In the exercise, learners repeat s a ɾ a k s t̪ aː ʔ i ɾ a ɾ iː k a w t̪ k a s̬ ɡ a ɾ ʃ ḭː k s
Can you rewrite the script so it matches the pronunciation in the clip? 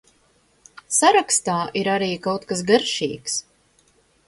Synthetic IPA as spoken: s a ɾ a k s t̪ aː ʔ i ɾ a ɾ iː k a w t̪ k a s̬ ɡ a ɾ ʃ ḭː k s